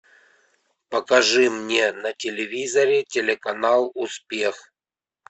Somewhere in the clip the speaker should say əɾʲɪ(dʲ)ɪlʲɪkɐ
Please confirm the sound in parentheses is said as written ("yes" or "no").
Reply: no